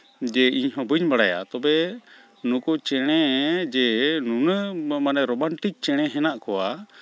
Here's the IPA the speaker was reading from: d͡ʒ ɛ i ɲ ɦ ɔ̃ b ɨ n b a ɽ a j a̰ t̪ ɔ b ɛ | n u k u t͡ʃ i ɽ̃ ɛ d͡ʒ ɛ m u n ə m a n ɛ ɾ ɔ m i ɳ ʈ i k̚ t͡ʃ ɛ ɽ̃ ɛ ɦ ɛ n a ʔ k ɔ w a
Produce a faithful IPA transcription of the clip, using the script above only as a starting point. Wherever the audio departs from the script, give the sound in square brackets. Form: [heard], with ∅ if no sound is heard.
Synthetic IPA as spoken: d͡ʒ ɛ i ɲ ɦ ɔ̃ b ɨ [ɲ] b a ɽ a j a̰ t̪ ɔ b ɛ | n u k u t͡ʃ [ɛ] ɽ̃ ɛ d͡ʒ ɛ [n] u n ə m a n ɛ ɾ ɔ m [a] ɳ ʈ i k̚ t͡ʃ ɛ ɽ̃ ɛ ɦ ɛ n a ʔ k ɔ w a